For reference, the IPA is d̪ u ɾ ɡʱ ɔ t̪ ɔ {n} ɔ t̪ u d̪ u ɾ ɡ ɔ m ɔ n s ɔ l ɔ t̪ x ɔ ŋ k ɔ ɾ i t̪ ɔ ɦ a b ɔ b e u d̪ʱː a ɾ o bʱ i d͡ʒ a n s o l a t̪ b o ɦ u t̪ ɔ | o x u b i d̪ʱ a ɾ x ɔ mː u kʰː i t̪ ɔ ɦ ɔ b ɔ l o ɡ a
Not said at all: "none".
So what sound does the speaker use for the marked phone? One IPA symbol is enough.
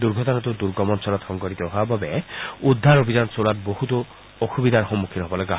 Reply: n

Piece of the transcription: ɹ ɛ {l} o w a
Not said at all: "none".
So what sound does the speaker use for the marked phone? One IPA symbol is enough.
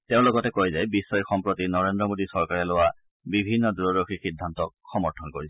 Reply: l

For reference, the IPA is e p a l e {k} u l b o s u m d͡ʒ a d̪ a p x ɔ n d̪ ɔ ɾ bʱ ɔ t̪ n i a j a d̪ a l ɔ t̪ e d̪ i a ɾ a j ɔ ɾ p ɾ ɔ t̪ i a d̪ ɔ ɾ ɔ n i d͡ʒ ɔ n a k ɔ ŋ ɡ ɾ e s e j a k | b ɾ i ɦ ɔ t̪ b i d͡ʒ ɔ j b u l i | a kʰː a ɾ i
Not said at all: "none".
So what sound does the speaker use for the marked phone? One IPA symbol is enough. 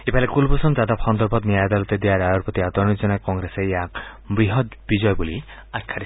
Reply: k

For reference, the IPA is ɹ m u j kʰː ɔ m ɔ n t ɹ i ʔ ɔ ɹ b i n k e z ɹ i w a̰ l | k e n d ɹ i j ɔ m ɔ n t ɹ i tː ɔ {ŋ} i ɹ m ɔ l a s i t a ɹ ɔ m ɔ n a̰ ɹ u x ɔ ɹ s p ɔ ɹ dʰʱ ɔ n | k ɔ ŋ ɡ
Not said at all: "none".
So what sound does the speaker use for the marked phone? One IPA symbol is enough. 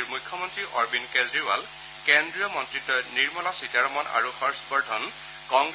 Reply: n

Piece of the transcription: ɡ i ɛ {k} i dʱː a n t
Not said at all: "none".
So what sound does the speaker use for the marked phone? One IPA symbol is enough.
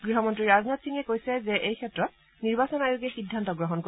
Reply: x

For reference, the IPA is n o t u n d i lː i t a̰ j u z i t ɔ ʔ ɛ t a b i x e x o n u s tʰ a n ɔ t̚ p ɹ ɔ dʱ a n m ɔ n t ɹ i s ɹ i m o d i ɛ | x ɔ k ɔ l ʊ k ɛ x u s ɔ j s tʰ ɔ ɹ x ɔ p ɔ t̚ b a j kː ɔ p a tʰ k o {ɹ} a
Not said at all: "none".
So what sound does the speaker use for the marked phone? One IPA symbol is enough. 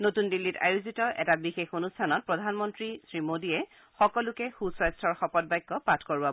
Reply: ɹ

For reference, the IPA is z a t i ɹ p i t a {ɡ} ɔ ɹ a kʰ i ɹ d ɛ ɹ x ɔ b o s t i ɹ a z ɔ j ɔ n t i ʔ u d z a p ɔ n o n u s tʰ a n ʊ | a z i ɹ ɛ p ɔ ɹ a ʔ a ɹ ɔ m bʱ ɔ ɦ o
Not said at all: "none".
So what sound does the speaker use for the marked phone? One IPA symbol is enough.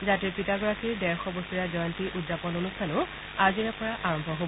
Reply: ɡ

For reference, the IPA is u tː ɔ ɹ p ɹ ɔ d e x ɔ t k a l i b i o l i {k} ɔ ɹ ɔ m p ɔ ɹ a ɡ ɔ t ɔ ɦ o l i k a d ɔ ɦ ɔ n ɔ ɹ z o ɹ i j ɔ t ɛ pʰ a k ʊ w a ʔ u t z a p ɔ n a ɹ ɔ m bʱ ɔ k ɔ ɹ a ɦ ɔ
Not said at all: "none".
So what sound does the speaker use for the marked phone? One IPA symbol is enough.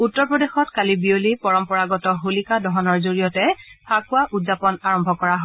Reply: p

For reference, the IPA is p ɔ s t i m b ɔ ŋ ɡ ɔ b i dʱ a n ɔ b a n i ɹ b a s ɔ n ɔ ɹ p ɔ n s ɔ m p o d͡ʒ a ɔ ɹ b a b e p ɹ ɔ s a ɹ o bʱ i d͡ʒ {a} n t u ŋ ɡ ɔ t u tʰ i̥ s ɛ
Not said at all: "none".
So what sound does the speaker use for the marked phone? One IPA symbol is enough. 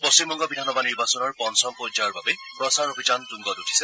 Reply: a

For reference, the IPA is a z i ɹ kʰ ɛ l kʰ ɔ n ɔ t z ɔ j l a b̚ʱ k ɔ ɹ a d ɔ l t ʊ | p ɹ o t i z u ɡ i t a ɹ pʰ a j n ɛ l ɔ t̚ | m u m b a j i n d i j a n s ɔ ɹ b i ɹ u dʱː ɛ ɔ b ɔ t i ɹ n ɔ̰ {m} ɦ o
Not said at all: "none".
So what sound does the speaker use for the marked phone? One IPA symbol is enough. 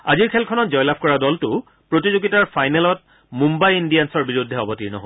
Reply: none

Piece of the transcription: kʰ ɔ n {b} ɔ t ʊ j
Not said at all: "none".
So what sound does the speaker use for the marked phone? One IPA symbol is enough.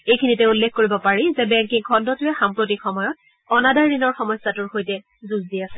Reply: d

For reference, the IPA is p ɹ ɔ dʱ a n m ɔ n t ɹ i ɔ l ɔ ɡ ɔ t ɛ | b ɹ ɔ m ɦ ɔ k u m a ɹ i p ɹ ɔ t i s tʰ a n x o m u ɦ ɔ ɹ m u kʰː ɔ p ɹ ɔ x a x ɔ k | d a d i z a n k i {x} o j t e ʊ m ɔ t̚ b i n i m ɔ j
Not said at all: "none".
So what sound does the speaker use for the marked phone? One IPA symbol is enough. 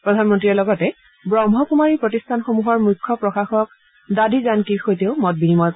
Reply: x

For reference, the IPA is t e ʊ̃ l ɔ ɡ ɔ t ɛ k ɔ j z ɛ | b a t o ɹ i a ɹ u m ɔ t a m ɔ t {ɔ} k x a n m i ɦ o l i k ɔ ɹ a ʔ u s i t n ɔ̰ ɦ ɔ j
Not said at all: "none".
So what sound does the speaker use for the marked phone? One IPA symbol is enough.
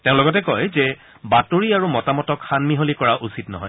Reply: ɔ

